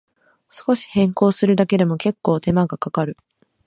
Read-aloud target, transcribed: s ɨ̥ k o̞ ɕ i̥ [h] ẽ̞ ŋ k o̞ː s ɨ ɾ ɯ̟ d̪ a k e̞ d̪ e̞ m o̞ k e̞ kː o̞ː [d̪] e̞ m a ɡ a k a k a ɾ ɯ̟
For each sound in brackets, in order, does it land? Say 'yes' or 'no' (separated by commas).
yes, no